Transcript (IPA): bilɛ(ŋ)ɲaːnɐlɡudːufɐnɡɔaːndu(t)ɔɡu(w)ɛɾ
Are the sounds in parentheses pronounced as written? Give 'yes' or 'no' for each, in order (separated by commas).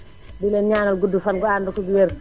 no, no, yes